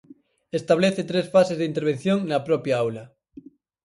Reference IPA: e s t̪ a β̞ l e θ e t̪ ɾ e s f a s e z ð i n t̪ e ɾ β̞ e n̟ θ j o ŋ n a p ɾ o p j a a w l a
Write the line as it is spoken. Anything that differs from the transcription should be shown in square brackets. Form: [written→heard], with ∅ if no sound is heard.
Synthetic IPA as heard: e s t̪ a β̞ l e θ e t̪ ɾ e s f a s e z ð i n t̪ e ɾ β̞ e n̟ θ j o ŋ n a p ɾ o p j a a w l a